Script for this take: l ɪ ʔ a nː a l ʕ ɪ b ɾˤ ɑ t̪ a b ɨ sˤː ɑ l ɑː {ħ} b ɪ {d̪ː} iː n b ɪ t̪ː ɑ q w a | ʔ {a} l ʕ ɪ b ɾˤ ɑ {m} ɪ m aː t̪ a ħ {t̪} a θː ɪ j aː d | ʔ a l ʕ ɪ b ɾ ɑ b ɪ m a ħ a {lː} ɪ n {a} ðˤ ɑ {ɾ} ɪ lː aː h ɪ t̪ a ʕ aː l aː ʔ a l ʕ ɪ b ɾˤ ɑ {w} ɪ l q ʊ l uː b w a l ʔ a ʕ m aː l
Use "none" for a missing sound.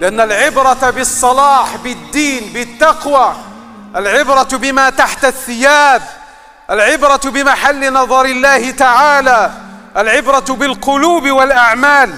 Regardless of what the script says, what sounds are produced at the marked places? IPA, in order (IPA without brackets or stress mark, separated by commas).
ħ, d̪ː, a, b, t̪, lː, ɑ, ɾ, b